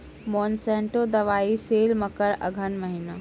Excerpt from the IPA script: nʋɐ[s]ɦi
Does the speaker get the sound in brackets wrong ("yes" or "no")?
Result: yes